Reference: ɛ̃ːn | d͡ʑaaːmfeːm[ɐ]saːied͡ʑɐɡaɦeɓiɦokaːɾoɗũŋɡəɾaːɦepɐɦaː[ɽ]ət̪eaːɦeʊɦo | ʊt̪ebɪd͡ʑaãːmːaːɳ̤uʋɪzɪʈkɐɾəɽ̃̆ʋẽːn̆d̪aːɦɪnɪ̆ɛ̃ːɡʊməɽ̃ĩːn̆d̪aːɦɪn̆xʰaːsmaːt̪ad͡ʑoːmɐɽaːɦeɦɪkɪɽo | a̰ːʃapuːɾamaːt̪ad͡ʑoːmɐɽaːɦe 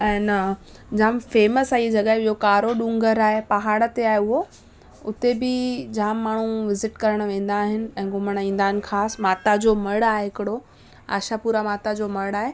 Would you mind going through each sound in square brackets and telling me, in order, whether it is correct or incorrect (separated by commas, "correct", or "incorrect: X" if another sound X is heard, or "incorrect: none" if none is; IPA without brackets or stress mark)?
incorrect: ə, correct